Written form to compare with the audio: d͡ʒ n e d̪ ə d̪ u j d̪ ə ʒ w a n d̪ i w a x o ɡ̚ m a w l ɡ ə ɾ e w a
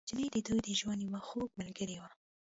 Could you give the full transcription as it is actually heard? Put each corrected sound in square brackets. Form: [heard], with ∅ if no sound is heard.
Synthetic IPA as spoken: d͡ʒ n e d̪ ə d̪ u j d̪ ə ʒ w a n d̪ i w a x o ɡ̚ m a [∅] l ɡ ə ɾ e w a